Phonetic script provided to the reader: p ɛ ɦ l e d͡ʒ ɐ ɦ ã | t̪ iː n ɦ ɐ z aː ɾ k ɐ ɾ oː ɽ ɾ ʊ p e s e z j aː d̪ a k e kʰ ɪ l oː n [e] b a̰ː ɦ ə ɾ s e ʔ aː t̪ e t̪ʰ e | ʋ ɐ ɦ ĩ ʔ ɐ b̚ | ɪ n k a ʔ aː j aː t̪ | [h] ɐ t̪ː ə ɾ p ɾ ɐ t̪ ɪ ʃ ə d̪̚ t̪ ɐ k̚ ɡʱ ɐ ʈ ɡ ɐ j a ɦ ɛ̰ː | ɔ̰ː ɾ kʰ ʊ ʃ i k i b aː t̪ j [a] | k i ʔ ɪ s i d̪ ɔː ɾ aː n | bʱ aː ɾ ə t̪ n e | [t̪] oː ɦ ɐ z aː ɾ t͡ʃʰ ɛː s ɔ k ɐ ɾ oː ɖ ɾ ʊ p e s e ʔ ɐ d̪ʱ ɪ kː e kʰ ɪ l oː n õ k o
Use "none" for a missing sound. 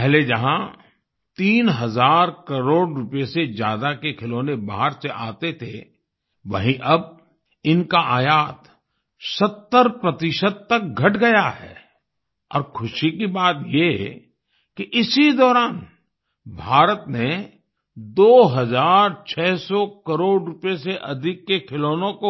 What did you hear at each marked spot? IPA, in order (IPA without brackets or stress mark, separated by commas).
e, s, e, d̪